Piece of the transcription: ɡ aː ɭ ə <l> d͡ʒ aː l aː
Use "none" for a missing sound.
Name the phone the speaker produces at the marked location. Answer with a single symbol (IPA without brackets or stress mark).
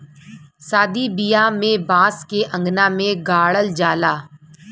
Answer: l